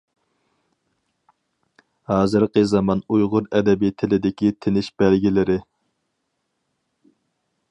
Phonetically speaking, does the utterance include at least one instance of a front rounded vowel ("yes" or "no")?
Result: no